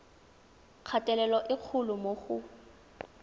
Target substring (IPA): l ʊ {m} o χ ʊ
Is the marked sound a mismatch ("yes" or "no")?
no